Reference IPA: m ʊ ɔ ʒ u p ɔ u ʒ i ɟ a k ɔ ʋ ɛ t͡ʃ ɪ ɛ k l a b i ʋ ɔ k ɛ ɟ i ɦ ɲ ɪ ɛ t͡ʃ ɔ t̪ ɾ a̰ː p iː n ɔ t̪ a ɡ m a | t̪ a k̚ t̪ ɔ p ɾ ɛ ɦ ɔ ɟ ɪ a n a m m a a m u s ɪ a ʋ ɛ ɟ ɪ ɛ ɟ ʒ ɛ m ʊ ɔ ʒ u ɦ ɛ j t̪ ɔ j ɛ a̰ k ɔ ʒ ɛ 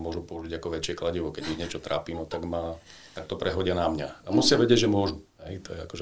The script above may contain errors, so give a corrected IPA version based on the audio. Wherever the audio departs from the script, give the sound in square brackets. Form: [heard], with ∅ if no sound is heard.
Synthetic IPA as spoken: m ʊ ɔ ʒ u p ɔ u ʒ i ɟ a k ɔ ʋ ɛ t͡ʃ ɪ ɛ k l a [ɟ] i ʋ ɔ k ɛ ɟ i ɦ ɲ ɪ ɛ t͡ʃ ɔ t̪ ɾ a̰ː p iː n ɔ t̪ a ɡ m a | t̪ a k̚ t̪ ɔ p ɾ ɛ ɦ ɔ ɟ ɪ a n a m [ɲ] a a m u s ɪ a ʋ ɛ ɟ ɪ ɛ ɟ ʒ ɛ m ʊ ɔ ʒ u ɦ ɛ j t̪ ɔ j ɛ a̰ k ɔ ʒ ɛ